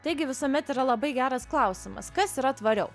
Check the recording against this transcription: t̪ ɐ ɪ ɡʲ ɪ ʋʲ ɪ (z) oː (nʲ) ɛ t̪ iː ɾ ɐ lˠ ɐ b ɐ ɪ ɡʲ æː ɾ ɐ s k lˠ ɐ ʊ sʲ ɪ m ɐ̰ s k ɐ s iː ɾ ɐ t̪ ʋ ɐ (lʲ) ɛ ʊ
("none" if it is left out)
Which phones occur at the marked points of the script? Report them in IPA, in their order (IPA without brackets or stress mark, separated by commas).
s, mʲ, ɾʲ